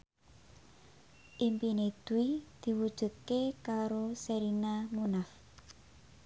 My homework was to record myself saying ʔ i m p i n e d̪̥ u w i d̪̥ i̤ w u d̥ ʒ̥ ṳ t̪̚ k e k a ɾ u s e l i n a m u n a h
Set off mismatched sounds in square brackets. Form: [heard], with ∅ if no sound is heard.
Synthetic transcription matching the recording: ʔ i m p i n e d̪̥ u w i d̪̥ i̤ w u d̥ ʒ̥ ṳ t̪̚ k e k a ɾ [o] s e [ɾ] i n a m u n a [f]